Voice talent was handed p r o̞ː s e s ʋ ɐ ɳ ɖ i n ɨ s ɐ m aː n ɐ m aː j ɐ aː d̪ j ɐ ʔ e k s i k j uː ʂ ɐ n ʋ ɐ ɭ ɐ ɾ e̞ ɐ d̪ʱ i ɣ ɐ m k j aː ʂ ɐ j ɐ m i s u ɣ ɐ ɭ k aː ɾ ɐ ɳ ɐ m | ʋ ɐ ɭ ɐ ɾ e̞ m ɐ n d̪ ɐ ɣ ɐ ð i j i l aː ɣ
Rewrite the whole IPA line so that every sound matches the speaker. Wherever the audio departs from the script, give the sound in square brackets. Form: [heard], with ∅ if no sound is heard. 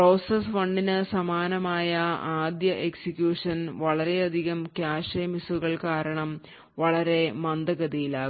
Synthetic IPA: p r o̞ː s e s ʋ ɐ ɳ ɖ i n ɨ s ɐ m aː n ɐ m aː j ɐ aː d̪ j ɐ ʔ e k s i k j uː ʂ ɐ n ʋ ɐ ɭ ɐ ɾ e̞ ɐ d̪ʱ i ɣ ɐ m k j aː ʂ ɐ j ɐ m i s u ɣ ɐ ɭ k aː ɾ ɐ ɳ ɐ m | ʋ ɐ ɭ ɐ ɾ e̞ m ɐ n d̪ ɐ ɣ ɐ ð i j i l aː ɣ